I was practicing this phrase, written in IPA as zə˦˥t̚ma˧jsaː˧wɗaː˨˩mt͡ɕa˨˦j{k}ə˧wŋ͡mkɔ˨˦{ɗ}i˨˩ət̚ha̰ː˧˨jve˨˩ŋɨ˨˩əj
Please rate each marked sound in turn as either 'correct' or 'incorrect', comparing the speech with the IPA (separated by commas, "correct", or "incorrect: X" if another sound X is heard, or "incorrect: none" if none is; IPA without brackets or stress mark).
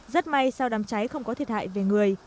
incorrect: x, incorrect: none